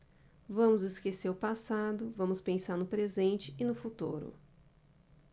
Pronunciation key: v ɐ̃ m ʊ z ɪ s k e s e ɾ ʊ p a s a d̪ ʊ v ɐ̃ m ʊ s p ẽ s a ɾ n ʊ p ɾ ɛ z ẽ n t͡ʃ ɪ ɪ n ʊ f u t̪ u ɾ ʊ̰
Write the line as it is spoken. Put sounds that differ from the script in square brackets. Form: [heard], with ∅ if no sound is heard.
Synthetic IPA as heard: v ɐ̃ m ʊ z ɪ s k e s e ɾ ʊ p a s a d̪ ʊ v ɐ̃ m ʊ s p ẽ s a ɾ n ʊ p ɾ [e] z ẽ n t͡ʃ ɪ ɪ n ʊ f u t̪ u ɾ ʊ̰